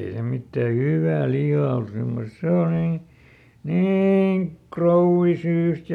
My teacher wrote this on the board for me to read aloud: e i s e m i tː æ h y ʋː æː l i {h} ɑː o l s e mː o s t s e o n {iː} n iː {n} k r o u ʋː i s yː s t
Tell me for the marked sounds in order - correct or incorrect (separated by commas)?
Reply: correct, correct, incorrect